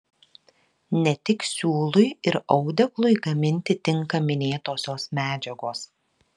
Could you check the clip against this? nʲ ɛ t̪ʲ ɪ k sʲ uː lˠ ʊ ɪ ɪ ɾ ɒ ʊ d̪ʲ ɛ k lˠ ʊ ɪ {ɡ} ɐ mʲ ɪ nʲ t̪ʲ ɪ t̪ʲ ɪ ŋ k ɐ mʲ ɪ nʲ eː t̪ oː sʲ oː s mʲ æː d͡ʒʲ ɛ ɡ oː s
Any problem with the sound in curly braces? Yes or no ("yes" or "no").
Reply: no